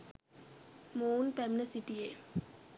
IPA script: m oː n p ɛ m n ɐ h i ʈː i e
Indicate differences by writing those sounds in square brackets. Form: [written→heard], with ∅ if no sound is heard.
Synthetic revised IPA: m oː n p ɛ m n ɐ [h→s] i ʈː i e